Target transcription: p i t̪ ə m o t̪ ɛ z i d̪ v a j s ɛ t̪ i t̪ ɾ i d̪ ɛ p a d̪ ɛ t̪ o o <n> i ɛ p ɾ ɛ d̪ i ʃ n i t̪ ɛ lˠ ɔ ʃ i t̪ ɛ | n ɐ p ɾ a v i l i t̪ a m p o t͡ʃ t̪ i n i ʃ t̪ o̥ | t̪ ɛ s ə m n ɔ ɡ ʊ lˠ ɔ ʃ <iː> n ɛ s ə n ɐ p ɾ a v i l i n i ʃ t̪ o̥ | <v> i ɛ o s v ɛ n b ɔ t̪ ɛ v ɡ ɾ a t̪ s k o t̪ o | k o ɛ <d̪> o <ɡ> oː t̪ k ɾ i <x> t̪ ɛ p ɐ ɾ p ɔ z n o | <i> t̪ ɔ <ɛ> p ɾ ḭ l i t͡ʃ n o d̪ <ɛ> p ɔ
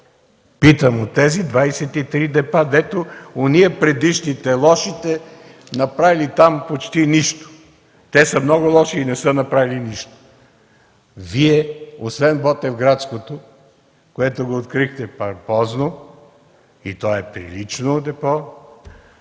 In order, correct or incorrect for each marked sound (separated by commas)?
correct, correct, correct, incorrect, correct, correct, correct, correct, correct